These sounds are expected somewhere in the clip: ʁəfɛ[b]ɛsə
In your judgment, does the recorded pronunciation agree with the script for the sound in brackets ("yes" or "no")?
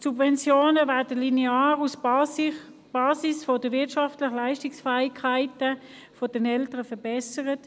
yes